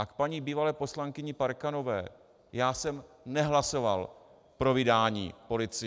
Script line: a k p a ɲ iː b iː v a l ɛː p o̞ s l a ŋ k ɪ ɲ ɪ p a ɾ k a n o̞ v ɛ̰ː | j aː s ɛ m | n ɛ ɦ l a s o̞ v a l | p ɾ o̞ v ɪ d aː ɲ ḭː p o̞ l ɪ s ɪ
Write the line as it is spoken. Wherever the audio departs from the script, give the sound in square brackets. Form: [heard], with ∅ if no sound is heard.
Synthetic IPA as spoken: a k p a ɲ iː b iː v a l ɛː p o̞ s l a ŋ k ɪ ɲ ɪ p a ɾ k a n o̞ v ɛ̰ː | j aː s ɛ m | n ɛ ɦ l a s o̞ v a l | p ɾ o̞ v ɪ d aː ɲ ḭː p o̞ l ɪ [t͡s] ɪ

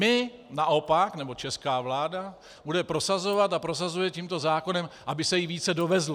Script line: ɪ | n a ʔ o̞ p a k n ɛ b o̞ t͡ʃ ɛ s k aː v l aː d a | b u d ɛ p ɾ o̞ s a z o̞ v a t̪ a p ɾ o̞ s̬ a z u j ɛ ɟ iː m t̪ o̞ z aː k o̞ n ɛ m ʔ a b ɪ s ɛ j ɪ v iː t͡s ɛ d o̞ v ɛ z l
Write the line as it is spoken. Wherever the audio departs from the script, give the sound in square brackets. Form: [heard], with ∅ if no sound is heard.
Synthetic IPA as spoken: ɪ | n a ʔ o̞ p a k n ɛ b o̞ t͡ʃ ɛ s k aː v l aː d a | b u d ɛ p ɾ o̞ s a z o̞ v a t̪ a p ɾ o̞ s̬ a z u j ɛ [c] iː m t̪ o̞ z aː k o̞ n ɛ m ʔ a b ɪ s ɛ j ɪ v iː t͡s ɛ d o̞ v ɛ z l

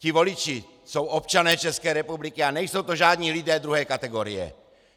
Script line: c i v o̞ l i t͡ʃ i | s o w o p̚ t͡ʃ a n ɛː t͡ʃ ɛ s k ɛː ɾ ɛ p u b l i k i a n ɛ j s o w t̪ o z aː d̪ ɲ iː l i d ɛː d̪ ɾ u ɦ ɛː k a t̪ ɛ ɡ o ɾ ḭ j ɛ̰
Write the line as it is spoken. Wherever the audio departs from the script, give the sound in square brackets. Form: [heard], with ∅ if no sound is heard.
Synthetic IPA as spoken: c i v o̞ l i t͡ʃ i | s o w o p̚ t͡ʃ a n ɛː t͡ʃ ɛ s k ɛː ɾ ɛ p u b l i k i a n ɛ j s o w t̪ o [ʒ] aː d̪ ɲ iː l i d ɛː d̪ ɾ u ɦ ɛː k a t̪ ɛ ɡ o ɾ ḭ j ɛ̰

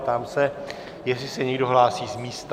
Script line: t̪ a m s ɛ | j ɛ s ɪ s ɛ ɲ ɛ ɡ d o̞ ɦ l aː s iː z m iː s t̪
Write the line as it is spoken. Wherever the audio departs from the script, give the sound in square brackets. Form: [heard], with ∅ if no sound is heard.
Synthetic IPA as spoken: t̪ a m s ɛ | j ɛ s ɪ s ɛ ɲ ɛ ɡ d o̞ ɦ l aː s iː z m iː s t̪

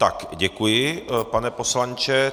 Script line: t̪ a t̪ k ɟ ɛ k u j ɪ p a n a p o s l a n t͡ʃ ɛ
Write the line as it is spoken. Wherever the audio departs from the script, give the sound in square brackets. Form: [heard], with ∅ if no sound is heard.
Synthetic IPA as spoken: t̪ a [∅] k ɟ ɛ k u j ɪ p a n [ɛ] p o s l a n t͡ʃ ɛ

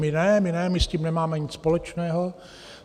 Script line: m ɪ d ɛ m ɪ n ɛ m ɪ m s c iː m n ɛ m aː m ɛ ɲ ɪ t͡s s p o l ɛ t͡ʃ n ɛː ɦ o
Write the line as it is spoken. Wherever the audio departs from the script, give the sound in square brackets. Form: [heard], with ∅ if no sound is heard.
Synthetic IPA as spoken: m ɪ [n] ɛ m ɪ n ɛ m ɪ [∅] s c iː m n ɛ m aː m ɛ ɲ ɪ t͡s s p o l ɛ t͡ʃ n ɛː ɦ o

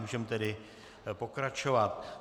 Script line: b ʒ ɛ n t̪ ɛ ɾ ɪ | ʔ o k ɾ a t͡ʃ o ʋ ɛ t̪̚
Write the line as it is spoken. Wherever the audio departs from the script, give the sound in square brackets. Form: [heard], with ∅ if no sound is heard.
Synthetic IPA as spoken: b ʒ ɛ [m] t̪ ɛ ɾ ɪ | [p] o k ɾ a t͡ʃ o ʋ [a] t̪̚

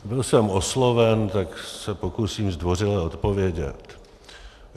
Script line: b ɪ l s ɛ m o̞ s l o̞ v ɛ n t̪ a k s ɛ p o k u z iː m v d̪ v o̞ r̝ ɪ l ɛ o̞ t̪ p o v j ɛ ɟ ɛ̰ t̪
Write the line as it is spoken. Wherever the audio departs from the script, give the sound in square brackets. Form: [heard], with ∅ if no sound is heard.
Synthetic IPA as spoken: b ɪ l s ɛ m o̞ s l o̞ v ɛ n t̪ a k s ɛ p o k u [s] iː m [z] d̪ v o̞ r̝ ɪ l ɛ o̞ t̪ p o v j ɛ ɟ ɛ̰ t̪

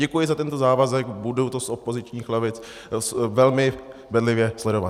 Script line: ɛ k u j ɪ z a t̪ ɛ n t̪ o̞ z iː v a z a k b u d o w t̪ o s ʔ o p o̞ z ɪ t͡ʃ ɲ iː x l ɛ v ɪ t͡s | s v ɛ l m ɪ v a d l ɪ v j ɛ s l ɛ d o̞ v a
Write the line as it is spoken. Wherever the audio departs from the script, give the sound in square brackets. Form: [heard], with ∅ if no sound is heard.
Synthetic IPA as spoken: ɛ k u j ɪ z a t̪ ɛ n t̪ o̞ z [aː] v a z [ɛ] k b u d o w t̪ o s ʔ o p o̞ z ɪ t͡ʃ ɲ iː x l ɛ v ɪ t͡s | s v ɛ l m ɪ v [ɛ] d l ɪ v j ɛ s l ɛ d o̞ v a

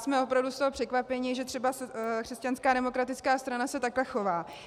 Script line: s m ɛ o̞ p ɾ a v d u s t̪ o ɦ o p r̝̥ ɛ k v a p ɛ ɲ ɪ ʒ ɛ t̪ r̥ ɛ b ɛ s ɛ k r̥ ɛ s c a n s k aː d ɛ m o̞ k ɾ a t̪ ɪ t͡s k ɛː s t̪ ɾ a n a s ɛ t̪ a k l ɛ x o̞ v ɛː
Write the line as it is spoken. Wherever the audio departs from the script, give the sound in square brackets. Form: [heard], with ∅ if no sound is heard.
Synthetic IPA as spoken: s m ɛ o̞ p ɾ a v d u s t̪ o ɦ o p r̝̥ ɛ k v a p ɛ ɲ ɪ ʒ ɛ t̪ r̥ ɛ b [a] s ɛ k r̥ ɛ s c a n s k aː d ɛ m o̞ k ɾ a t̪ ɪ t͡s k [aː] s t̪ ɾ a n a s ɛ t̪ a k l ɛ x o̞ v [aː]

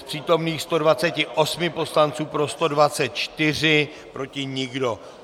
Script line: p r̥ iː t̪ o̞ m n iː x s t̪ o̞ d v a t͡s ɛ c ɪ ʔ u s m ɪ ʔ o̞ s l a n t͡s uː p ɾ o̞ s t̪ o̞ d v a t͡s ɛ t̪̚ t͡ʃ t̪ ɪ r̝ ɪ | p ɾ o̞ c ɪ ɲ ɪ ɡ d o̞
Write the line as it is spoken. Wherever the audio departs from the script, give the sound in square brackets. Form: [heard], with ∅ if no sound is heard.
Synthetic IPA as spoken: p r̥ iː t̪ o̞ m n iː x s t̪ o̞ d v a t͡s ɛ c ɪ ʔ [o] s m ɪ [p] o̞ s l a n t͡s uː p ɾ o̞ s t̪ o̞ d v a t͡s ɛ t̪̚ t͡ʃ t̪ ɪ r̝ ɪ | p ɾ o̞ c ɪ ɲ ɪ ɡ d o̞

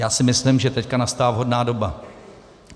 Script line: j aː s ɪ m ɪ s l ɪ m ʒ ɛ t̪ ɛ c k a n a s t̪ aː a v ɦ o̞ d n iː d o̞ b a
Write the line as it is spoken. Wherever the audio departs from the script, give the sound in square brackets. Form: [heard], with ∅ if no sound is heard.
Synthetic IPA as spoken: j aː s ɪ m ɪ s l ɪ m ʒ ɛ t̪ ɛ c k a n a s t̪ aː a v ɦ o̞ d n [aː] d o̞ b a

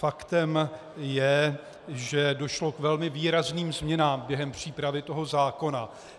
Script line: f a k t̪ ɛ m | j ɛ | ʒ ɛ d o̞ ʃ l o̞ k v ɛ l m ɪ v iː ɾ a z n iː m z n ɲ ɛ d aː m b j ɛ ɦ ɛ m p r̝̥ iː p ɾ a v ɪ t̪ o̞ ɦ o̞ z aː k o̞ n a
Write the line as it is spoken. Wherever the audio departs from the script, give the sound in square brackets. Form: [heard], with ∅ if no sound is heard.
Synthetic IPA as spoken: f a k t̪ ɛ m | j ɛ | ʒ ɛ d o̞ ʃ l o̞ k v ɛ l m ɪ v iː ɾ a z n iː m z [m] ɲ ɛ [n] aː m b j ɛ ɦ ɛ m p r̝̥ iː p ɾ a v ɪ t̪ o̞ ɦ o̞ z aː k o̞ n a

